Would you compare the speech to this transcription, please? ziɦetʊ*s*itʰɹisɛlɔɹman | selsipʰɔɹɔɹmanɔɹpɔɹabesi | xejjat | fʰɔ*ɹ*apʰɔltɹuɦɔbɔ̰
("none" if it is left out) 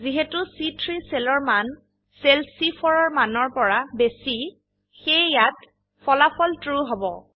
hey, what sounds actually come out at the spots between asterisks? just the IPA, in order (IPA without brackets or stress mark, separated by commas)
s, l